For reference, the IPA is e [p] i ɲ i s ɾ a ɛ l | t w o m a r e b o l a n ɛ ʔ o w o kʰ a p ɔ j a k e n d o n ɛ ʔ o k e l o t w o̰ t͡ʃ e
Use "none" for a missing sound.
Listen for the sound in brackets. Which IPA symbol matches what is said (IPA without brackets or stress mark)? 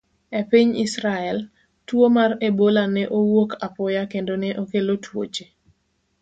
p